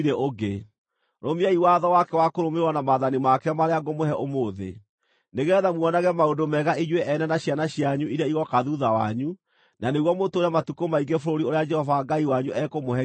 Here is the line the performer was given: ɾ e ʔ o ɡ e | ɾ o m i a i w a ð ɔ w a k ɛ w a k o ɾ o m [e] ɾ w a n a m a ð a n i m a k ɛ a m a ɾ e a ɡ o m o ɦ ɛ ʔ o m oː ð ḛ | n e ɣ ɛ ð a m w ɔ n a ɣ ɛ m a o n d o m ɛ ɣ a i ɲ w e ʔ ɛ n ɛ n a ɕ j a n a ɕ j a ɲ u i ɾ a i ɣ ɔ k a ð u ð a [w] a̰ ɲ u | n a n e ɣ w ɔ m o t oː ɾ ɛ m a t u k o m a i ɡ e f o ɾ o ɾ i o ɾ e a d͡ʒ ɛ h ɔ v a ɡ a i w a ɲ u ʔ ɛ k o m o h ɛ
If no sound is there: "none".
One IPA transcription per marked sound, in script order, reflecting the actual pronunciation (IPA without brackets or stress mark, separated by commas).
e, w